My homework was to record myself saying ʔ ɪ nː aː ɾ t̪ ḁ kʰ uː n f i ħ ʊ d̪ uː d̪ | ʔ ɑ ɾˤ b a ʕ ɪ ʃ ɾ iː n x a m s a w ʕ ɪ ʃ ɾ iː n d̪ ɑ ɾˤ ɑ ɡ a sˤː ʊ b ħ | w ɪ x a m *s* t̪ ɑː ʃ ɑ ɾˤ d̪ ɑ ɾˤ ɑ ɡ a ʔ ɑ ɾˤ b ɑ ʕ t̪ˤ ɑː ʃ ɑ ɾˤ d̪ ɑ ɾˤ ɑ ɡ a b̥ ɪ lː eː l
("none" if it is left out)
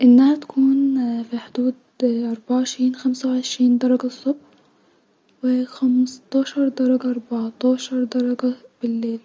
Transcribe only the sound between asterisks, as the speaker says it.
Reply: s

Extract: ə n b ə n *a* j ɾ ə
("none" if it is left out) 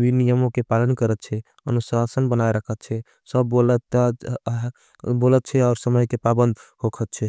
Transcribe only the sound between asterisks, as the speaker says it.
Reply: a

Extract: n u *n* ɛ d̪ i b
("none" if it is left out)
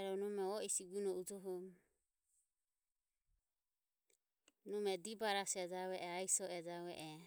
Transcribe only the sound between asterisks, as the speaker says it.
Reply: m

